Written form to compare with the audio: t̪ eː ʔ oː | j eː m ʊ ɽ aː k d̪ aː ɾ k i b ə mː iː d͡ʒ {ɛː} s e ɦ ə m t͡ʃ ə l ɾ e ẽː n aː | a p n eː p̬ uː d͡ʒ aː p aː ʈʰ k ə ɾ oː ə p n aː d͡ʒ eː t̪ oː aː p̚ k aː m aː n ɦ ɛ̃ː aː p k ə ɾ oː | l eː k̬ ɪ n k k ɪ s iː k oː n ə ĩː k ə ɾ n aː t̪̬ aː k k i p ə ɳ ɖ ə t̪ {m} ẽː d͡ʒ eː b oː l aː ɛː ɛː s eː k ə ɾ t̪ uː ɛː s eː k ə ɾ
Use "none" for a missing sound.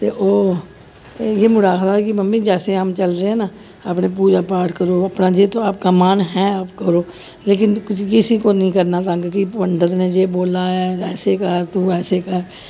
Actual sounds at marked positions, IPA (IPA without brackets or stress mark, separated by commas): ɛː, n